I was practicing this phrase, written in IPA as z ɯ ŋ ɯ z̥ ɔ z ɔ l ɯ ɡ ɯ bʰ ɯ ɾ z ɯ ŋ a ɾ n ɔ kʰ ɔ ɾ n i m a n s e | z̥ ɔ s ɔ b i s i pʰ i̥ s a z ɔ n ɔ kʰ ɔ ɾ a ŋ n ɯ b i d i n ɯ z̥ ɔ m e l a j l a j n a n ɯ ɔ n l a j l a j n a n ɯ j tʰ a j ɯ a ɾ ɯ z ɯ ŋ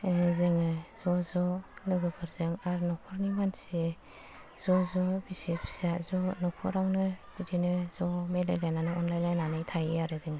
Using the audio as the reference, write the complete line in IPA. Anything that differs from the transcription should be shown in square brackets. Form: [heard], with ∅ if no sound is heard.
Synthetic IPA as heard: z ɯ ŋ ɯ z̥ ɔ z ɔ l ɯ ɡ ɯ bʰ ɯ ɾ z ɯ ŋ a ɾ n ɔ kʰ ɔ ɾ n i m a n s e | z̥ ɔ [z] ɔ b i s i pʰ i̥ s a z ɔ n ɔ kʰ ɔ ɾ a ŋ n ɯ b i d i n ɯ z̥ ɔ m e l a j l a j n a n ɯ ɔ n l a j l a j n a n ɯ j tʰ a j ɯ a ɾ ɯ z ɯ ŋ

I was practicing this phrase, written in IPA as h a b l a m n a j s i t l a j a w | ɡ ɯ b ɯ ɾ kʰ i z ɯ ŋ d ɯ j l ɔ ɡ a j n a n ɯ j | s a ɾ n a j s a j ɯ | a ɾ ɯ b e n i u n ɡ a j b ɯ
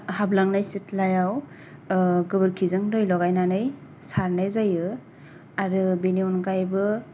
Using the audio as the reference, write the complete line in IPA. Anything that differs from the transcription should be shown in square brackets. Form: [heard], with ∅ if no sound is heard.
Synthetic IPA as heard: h a b l a [ŋ] n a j s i t l a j a w | ɡ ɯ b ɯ ɾ kʰ i z ɯ ŋ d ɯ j l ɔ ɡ a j n a n ɯ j | s a ɾ n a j [z] a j ɯ | a ɾ ɯ b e n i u n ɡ a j b ɯ

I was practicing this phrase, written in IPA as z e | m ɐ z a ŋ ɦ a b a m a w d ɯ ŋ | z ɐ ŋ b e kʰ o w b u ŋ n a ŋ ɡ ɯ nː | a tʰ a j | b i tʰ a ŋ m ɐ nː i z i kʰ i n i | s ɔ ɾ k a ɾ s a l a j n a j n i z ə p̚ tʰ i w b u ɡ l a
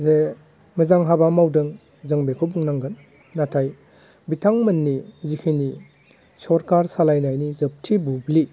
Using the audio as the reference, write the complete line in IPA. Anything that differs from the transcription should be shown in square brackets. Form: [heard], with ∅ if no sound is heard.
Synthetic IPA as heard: z e | m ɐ z a ŋ ɦ a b a m a w d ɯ ŋ | z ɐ ŋ b e kʰ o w b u ŋ n a ŋ ɡ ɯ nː | a tʰ a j | b i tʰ a ŋ m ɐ nː i z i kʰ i n i | s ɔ ɾ k a ɾ s a l a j n a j n i z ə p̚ tʰ i [∅] b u [b] l [i]

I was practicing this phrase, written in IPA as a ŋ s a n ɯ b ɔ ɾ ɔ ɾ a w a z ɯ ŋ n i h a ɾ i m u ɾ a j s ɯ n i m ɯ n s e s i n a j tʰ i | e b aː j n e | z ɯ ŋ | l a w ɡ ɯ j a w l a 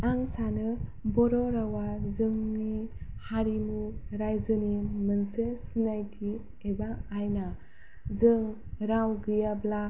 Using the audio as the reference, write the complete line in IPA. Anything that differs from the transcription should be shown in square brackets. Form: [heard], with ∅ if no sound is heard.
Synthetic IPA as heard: a ŋ s a n ɯ b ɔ ɾ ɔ ɾ a w a z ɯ ŋ n i h a ɾ i m u ɾ a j [z] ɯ n i m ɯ n s e s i n a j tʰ i | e b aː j n [a] | z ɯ ŋ | [ɾ] a w ɡ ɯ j a [b] l a

